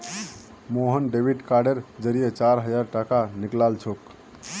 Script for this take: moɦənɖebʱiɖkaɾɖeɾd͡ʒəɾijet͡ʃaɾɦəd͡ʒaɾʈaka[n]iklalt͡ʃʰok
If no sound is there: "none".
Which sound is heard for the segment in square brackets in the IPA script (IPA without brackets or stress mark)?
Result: n